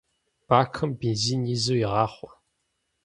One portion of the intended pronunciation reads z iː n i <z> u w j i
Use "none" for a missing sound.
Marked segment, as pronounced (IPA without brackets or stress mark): z